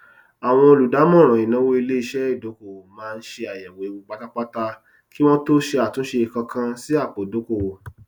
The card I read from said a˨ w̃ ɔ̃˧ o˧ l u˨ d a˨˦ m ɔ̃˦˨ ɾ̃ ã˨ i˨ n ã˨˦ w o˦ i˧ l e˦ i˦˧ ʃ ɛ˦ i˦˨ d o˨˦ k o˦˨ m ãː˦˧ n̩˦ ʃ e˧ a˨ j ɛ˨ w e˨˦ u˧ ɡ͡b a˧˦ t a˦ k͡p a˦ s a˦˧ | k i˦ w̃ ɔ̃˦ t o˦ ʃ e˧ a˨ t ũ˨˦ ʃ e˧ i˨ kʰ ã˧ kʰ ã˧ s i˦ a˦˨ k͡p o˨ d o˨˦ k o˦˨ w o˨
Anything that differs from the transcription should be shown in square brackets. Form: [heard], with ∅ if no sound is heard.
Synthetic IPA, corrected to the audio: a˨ w̃ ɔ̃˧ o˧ l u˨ d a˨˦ m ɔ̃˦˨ ɾ̃ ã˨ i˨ n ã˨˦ w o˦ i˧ l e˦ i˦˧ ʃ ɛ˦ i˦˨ d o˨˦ k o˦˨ m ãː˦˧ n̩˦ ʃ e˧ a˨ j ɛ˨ w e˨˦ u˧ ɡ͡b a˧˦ t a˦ k͡p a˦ [t] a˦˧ | k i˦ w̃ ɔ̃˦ t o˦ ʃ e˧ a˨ t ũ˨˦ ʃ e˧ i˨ [k] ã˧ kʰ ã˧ s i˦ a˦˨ k͡p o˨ d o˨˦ k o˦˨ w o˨

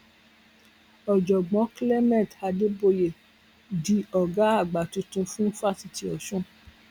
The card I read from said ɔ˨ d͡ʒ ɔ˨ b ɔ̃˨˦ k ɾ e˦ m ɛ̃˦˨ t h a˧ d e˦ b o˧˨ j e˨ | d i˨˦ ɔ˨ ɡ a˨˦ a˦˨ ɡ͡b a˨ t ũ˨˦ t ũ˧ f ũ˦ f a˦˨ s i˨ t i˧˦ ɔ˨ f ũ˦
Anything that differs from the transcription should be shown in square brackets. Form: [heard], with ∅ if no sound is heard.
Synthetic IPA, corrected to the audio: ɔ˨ d͡ʒ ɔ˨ [ɡ͡b] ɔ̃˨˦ k [l] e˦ m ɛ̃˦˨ t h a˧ d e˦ b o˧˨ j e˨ | d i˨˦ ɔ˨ ɡ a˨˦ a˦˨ ɡ͡b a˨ t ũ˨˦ t ũ˧ f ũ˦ f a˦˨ s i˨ t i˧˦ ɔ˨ [ʃ] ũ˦

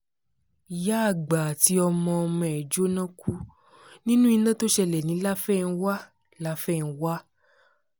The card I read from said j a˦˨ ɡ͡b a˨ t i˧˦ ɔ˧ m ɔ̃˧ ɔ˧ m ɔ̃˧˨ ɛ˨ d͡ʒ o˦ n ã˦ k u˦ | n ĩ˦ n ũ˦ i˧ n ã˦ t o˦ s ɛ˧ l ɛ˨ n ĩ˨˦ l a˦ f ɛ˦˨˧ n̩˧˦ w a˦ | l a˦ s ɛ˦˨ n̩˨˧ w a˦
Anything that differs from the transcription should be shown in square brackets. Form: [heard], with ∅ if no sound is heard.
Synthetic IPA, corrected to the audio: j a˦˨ ɡ͡b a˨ t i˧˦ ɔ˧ m ɔ̃˧ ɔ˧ m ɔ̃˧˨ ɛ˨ d͡ʒ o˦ n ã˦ k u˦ | n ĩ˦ n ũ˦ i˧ n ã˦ t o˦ [ʃ] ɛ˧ l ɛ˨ n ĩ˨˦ l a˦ f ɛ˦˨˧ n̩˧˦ w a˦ | l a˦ [f] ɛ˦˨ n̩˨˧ w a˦

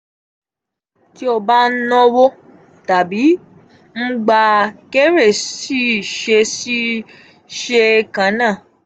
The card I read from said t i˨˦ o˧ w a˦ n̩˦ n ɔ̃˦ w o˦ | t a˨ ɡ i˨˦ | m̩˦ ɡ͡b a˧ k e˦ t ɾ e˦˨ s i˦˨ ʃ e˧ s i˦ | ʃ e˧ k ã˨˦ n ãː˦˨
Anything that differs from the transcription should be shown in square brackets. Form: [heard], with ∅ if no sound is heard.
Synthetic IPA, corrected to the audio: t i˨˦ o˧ [b] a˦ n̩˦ n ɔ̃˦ w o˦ | t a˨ [b] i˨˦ | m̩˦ ɡ͡b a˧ k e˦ [∅] ɾ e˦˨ s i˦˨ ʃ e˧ s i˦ | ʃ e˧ k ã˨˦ n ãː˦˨

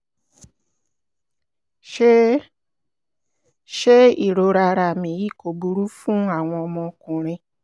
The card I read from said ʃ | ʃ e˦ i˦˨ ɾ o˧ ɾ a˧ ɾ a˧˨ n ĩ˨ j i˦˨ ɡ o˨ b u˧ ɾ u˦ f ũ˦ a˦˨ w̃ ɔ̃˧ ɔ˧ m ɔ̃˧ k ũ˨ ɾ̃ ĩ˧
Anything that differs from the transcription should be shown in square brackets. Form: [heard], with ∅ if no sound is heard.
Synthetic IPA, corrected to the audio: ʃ | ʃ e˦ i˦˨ ɾ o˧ ɾ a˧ ɾ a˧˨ [m] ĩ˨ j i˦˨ [k] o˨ b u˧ ɾ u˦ f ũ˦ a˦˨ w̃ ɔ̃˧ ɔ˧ m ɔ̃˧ k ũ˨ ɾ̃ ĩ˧

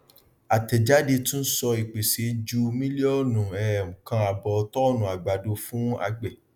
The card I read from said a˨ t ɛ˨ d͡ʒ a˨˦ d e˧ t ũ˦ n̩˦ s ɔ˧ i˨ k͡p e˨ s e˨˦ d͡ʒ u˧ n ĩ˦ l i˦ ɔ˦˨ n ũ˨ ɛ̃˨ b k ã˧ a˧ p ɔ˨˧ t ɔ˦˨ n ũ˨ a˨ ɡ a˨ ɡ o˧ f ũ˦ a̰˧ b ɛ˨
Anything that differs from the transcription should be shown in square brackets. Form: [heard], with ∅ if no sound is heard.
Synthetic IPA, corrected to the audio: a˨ t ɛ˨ d͡ʒ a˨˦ d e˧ t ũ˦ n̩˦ s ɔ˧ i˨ k͡p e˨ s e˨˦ d͡ʒ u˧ [m] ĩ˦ l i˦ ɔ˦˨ n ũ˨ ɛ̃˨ [∅] k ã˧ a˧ [b] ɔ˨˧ t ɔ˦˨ n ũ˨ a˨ [ɡ͡b] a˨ [d] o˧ f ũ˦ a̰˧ [ɡ͡b] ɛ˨

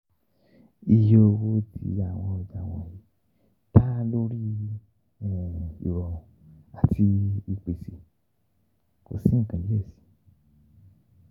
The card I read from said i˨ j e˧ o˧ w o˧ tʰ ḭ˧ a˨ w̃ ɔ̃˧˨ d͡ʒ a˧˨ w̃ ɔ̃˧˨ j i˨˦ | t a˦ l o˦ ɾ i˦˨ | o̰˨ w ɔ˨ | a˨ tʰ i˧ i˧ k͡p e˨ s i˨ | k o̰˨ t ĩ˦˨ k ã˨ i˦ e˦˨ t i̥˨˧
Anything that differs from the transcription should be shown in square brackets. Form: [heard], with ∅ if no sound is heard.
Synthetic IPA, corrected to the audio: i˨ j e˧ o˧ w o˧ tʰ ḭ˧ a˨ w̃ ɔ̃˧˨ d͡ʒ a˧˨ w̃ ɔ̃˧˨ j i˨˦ | t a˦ l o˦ ɾ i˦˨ | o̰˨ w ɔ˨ | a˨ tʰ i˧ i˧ k͡p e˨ s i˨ | k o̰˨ [s] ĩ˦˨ k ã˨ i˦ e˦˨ [s] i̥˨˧

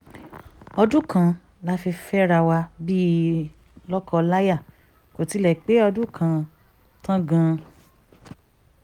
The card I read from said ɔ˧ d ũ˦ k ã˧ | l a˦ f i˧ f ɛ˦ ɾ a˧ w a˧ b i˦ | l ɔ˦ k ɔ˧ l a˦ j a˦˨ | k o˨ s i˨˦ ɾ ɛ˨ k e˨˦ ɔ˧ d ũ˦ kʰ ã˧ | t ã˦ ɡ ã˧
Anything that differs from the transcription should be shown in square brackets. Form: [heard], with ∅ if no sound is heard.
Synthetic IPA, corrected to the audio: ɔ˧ d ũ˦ k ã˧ | l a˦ f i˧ f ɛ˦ ɾ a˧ w a˧ b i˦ | l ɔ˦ k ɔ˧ l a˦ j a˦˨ | k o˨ [t] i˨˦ [l] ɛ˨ [k͡p] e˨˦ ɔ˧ d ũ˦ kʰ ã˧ | t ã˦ ɡ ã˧

